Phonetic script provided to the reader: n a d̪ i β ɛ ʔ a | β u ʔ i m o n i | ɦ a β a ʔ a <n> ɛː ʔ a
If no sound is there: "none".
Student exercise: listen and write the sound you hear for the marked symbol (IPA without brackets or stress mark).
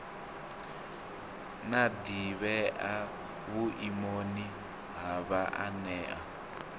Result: n